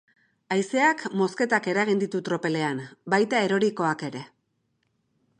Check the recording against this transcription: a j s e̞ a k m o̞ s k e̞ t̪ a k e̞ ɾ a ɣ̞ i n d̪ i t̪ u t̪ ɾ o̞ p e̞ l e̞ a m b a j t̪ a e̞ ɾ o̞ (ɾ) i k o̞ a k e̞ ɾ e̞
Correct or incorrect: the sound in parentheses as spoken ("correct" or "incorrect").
correct